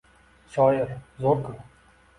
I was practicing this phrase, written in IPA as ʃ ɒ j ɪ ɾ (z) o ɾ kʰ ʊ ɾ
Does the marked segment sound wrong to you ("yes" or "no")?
no